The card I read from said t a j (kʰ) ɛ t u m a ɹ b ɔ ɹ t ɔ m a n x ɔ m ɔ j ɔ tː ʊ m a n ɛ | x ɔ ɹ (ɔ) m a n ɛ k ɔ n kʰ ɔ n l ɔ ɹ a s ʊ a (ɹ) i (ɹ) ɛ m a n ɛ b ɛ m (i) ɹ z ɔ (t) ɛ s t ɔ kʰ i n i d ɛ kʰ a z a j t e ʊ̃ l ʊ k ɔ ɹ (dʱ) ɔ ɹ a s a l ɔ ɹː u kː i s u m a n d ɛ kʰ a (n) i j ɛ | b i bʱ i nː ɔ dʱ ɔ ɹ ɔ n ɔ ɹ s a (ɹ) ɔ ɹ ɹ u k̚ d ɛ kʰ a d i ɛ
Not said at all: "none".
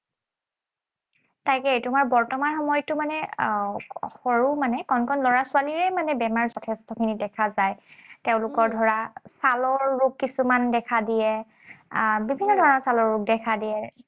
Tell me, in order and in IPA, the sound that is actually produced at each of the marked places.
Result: k, u, l, ɹ, a, tʰ, dʱ, d, l

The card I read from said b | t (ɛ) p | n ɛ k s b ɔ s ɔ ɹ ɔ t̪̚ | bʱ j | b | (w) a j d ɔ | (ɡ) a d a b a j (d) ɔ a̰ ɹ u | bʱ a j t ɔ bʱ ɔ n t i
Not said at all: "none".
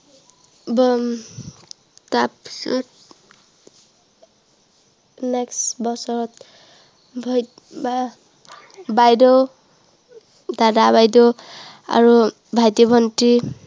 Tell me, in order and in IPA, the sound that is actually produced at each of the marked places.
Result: a, b, d, d

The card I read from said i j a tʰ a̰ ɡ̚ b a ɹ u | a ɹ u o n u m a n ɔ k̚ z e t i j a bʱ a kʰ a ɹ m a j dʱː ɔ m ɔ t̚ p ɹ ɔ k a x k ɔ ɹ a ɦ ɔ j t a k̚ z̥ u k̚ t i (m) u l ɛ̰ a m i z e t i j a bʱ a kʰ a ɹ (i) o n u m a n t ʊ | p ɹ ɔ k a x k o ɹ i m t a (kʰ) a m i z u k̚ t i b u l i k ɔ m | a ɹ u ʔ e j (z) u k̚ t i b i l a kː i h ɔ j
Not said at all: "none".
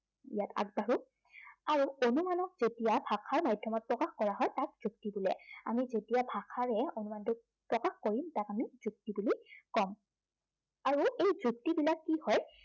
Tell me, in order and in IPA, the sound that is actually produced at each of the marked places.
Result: b, ɛ, k, z

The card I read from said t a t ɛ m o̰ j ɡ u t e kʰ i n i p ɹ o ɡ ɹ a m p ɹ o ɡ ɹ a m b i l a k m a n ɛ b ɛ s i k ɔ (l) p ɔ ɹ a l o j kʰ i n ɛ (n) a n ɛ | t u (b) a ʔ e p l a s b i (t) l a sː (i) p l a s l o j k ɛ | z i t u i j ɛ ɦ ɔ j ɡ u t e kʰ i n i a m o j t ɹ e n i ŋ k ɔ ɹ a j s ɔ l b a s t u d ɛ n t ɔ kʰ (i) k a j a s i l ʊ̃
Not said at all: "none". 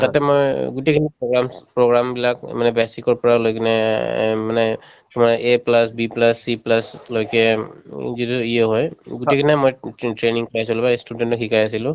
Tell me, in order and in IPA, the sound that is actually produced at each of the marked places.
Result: ɹ, m, m, p, i, i

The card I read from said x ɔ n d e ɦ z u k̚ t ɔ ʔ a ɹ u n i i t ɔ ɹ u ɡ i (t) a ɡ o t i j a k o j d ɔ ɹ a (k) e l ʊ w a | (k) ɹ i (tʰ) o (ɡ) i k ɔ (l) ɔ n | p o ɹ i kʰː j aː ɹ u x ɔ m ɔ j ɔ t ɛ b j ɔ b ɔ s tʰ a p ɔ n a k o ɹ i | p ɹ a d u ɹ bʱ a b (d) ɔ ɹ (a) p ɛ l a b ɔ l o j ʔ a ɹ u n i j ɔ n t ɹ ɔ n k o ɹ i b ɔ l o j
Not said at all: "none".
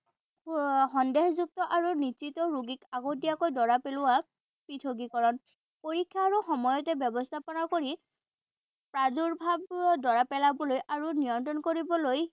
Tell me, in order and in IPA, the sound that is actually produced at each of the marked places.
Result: k, p, p, tʰ, ɡ, ɹ, d, a

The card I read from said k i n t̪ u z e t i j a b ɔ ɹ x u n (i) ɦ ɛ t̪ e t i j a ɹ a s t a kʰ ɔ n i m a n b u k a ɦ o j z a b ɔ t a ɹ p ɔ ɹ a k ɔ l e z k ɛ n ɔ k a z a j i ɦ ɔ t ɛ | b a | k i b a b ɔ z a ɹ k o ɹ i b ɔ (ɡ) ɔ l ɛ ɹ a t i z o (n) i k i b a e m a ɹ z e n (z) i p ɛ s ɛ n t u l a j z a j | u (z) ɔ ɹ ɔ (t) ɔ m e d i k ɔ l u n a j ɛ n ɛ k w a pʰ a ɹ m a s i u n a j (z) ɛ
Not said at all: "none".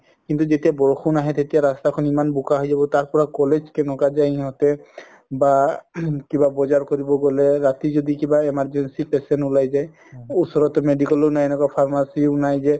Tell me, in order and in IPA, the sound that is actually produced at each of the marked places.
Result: a, ɡ, d, s, s, t, z

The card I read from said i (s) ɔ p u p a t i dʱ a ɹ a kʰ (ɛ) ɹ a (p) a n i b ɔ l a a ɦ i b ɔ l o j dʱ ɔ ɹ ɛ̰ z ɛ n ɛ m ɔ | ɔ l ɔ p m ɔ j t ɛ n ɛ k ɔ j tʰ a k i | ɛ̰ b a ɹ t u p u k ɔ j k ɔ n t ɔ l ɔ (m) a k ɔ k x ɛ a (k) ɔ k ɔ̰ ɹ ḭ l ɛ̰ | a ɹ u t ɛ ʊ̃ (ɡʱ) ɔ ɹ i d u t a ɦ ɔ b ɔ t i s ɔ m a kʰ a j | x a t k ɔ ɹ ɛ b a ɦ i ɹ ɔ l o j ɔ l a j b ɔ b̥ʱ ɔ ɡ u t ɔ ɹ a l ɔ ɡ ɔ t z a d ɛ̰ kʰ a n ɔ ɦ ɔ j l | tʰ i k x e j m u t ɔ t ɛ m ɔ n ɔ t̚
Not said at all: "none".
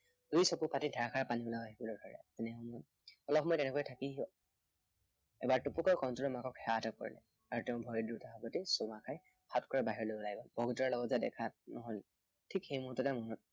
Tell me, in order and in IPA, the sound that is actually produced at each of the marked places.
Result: s, a, p, m, t, bʱ

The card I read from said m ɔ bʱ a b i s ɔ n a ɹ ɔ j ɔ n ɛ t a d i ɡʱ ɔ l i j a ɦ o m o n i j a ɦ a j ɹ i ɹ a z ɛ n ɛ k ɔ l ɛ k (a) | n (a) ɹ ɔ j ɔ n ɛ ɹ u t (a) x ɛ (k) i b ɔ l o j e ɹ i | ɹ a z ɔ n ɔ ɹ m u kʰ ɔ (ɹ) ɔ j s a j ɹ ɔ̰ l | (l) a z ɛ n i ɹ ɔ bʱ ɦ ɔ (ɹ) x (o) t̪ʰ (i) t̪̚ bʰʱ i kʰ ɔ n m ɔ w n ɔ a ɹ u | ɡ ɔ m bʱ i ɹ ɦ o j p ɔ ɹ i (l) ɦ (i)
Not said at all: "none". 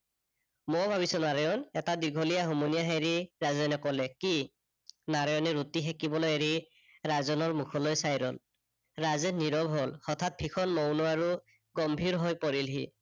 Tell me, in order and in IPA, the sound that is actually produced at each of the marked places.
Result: i, a, i, k, l, ɹ, l, ɔ, a, l, i

